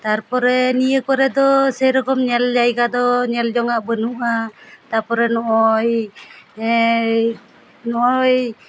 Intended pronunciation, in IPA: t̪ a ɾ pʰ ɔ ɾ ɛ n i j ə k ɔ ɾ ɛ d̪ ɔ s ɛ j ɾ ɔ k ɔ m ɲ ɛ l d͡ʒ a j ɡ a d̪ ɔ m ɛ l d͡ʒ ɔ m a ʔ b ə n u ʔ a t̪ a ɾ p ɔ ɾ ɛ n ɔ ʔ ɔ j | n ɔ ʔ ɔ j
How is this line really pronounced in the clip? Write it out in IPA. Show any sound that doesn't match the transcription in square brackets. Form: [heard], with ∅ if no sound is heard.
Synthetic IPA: t̪ a ɾ [p] ɔ ɾ ɛ n i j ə k ɔ ɾ ɛ d̪ ɔ s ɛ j ɾ ɔ k ɔ m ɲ ɛ l d͡ʒ a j ɡ a d̪ ɔ [ɲ] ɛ l d͡ʒ ɔ [ŋ] a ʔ b ə n u ʔ a t̪ a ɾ p ɔ ɾ ɛ n ɔ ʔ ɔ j | n ɔ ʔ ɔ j